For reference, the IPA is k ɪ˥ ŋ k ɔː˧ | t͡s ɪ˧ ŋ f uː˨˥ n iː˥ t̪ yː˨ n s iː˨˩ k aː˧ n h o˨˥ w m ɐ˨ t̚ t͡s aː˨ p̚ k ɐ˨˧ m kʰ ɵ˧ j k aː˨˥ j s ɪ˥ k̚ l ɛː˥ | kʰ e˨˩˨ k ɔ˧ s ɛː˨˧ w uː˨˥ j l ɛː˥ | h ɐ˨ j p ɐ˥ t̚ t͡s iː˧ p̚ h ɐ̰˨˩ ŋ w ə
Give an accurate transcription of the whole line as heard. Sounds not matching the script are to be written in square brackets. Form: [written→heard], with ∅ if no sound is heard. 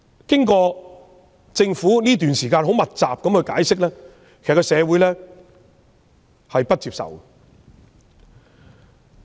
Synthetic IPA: k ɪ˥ ŋ k ɔː˧ | t͡s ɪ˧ ŋ f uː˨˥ n iː˥ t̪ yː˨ n s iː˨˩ k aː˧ n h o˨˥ w m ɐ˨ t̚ t͡s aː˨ p̚ k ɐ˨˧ m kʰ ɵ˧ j k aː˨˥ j s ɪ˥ k̚ l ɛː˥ | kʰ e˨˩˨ k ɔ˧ s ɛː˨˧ w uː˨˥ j l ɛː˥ | h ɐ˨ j p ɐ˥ t̚ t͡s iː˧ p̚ [h→s] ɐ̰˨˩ [ŋ→∅] w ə